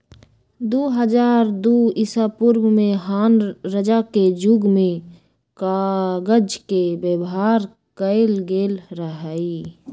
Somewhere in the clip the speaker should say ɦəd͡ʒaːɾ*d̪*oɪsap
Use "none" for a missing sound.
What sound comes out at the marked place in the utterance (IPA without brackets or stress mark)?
d̪